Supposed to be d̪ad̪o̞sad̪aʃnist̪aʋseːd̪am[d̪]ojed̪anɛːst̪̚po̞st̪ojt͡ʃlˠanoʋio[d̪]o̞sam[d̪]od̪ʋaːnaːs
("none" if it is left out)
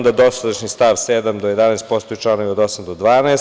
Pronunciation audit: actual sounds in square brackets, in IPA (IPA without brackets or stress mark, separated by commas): d̪, d̪, d̪